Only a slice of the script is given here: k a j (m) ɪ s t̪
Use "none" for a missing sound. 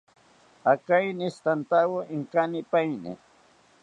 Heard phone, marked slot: n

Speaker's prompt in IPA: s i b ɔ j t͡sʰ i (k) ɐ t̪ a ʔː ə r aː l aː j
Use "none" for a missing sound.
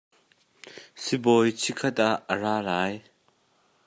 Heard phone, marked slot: kʰ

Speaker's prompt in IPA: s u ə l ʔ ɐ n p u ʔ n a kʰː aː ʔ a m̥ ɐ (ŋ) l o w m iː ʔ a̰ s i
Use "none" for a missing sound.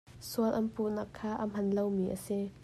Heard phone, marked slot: n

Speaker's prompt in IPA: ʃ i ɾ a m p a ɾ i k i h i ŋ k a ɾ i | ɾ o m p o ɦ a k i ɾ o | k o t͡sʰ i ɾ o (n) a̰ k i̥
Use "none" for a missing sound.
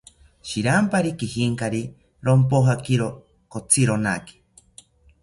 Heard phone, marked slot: n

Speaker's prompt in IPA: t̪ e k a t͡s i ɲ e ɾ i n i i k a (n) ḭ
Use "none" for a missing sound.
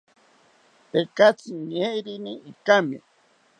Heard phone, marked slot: m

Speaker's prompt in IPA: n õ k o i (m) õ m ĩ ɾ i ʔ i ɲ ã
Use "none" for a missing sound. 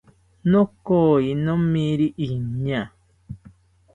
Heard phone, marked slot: n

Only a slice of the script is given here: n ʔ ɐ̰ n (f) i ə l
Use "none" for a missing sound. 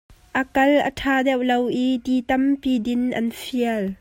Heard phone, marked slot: f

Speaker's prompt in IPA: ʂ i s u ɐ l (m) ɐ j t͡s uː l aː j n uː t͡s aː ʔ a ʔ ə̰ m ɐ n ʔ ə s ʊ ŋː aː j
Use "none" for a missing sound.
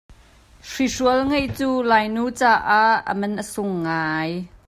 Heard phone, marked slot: ŋ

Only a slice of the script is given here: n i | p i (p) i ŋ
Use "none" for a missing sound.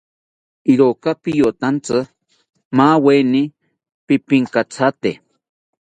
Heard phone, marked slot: p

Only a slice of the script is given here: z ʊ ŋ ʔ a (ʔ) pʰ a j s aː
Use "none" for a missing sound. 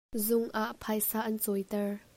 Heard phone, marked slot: ʔ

